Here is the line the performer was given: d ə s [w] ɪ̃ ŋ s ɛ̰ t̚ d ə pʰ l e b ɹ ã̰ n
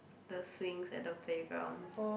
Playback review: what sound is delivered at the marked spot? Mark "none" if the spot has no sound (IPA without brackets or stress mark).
w